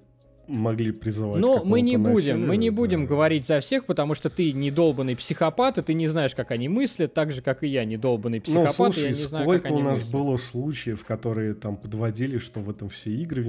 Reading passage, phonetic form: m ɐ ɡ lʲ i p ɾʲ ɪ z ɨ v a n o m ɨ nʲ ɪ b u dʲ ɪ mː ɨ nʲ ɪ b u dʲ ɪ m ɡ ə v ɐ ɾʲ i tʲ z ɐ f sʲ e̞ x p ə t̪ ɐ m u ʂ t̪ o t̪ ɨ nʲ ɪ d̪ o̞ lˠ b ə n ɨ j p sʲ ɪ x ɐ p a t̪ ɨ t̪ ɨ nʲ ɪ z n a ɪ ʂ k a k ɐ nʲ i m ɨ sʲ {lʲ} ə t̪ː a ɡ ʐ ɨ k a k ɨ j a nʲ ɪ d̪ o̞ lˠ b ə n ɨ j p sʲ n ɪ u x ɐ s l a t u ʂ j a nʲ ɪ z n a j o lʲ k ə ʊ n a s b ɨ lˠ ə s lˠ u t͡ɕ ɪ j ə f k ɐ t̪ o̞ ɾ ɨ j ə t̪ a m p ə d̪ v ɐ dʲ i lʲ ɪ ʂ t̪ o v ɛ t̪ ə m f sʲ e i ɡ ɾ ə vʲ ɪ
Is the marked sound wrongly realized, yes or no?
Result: no